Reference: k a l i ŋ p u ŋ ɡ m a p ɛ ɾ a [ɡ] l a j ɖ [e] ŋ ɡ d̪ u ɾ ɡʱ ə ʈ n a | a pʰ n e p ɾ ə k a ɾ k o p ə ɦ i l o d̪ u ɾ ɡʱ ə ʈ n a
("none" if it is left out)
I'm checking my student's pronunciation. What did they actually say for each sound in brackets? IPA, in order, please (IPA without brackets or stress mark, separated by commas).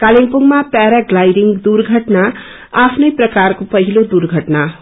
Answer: ɡ, i